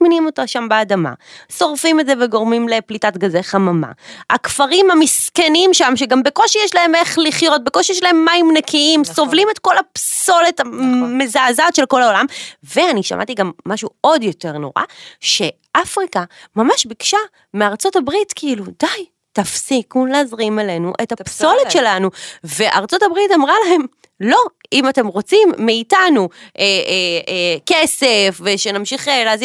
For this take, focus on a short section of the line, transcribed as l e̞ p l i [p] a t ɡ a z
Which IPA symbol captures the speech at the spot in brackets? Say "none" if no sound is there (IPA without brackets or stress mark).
t